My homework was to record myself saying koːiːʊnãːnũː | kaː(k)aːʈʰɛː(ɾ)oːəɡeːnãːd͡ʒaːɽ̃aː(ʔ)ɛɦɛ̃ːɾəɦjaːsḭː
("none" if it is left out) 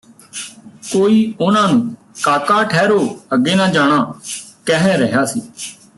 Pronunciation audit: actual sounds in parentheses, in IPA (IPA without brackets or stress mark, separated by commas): k, ɾ, k